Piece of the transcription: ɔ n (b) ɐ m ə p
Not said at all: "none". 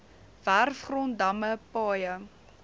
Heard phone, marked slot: d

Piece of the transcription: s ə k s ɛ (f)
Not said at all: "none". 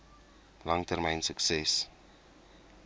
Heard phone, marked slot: s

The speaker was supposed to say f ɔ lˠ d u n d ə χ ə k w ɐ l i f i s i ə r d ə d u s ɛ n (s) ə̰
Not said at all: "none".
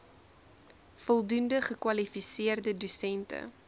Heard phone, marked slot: t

